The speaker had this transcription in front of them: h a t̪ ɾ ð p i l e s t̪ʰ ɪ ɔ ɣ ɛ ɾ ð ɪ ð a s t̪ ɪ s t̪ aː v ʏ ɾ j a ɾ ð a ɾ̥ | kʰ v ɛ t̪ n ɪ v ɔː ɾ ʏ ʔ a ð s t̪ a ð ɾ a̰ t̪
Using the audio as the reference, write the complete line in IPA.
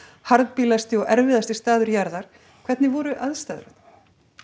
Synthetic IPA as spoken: h a ɾ ð p i l a s t̪ ɪ ɔ ɣ ɛ ɾ v ɪ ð a s t̪ ɪ s t̪ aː ð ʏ ɾ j a ɾ ð a ɾ̥ | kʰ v ɛ t̪ n ɪ v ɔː ɾ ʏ ʔ a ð s t̪ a ð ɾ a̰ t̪